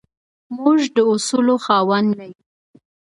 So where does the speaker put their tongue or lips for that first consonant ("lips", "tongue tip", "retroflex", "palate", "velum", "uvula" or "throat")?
lips